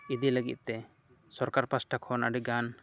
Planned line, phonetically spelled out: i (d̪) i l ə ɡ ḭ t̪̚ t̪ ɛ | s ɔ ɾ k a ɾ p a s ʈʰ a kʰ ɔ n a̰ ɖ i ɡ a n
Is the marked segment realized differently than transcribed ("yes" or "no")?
no